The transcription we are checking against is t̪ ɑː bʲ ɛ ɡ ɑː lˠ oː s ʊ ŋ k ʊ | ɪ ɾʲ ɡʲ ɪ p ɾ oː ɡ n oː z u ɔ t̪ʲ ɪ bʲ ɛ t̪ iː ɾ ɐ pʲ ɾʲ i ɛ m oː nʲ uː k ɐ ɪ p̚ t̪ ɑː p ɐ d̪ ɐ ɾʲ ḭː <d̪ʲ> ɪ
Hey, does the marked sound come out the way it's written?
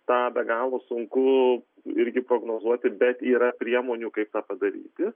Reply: no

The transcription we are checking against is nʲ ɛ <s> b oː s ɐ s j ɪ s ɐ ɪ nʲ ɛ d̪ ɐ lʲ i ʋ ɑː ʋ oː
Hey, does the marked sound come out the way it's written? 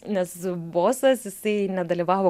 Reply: yes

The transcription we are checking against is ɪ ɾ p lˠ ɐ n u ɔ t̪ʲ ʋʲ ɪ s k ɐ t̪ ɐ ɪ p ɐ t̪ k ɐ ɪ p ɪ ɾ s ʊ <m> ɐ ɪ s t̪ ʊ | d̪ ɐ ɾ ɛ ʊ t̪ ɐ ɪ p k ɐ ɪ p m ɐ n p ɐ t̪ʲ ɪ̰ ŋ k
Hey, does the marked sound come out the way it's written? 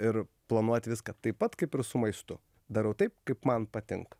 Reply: yes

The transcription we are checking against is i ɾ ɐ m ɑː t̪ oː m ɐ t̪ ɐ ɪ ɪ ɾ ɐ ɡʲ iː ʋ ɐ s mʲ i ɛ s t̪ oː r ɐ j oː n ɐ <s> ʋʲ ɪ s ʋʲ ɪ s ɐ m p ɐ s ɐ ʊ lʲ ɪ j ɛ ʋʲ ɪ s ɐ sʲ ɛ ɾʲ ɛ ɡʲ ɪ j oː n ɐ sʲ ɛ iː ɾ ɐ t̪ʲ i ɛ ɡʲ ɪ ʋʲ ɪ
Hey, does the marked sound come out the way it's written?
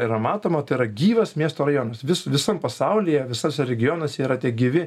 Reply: yes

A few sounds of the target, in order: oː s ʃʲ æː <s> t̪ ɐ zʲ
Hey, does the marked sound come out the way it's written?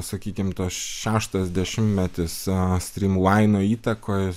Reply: no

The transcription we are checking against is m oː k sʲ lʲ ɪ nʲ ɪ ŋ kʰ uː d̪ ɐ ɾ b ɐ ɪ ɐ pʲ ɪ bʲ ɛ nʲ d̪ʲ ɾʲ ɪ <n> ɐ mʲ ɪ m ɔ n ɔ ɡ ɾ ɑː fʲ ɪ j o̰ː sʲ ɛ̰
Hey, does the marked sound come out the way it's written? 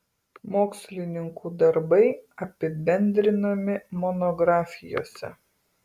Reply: yes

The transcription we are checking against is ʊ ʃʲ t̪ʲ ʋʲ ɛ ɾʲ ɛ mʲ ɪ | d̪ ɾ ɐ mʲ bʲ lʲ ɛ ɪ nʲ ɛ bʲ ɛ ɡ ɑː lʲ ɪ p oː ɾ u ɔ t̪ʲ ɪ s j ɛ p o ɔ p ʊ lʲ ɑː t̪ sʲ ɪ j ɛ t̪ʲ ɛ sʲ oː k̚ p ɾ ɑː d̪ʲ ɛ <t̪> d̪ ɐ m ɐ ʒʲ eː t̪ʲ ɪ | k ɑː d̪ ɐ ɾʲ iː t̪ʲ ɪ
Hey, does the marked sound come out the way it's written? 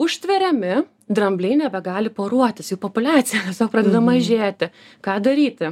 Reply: no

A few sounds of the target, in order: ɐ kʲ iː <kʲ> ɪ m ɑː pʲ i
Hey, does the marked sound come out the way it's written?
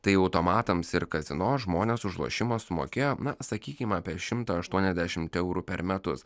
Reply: yes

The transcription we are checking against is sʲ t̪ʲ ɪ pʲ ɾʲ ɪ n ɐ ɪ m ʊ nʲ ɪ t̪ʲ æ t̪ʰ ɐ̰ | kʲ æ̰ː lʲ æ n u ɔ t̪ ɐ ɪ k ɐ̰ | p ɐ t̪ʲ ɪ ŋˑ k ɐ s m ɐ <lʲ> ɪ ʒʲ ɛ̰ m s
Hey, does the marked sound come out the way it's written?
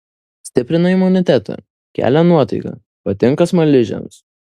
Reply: yes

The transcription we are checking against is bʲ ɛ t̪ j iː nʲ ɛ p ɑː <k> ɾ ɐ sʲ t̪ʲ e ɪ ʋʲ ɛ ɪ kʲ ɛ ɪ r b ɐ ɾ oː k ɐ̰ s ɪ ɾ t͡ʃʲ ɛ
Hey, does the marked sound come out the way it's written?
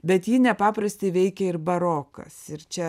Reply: no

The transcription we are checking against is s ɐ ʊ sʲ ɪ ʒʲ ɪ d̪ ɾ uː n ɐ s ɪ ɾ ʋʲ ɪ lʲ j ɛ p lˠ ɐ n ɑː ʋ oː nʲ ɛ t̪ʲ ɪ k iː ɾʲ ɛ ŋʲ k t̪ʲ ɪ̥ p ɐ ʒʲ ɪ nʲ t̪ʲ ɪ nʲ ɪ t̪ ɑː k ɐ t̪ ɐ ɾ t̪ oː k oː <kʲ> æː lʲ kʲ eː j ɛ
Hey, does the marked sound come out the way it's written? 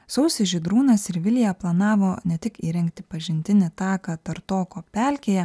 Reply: no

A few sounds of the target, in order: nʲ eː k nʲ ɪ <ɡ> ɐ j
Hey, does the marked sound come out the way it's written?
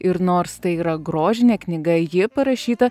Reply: yes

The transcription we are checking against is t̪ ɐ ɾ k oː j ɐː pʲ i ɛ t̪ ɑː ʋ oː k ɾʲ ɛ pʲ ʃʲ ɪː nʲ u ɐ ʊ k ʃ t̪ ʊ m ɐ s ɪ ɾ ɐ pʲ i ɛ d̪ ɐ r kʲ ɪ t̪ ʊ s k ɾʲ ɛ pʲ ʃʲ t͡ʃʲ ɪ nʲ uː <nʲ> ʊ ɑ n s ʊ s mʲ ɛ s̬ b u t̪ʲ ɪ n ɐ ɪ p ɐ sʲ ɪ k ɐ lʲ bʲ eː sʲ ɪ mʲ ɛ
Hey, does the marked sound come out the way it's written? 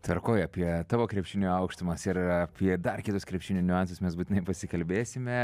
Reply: yes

